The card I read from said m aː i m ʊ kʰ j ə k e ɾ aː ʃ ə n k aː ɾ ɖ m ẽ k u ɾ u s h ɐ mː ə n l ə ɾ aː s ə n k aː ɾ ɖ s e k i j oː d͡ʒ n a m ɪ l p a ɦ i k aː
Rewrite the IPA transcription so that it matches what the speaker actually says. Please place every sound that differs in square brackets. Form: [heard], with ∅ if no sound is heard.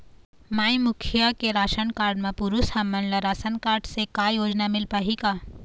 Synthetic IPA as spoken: m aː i m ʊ kʰ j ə k e ɾ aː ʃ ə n k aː ɾ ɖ m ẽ [p] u ɾ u s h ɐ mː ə n l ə ɾ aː s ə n k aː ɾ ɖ s e k [a] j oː d͡ʒ n a m ɪ l p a ɦ i k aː